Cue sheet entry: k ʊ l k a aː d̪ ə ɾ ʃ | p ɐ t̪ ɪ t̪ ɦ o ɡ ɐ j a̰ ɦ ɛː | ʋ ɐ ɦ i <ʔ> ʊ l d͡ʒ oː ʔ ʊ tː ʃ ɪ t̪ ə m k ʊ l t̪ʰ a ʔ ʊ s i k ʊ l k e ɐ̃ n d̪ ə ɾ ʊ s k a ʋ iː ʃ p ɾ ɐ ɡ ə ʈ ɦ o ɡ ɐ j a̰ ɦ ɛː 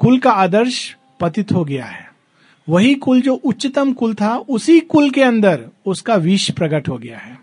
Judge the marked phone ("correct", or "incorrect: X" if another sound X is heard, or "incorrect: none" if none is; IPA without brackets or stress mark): incorrect: k